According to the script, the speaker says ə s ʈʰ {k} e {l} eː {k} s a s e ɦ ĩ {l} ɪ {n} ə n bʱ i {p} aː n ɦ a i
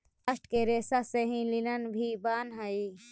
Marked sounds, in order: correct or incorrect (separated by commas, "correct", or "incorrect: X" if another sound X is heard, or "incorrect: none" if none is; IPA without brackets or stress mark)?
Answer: correct, incorrect: ɾ, incorrect: none, correct, correct, incorrect: b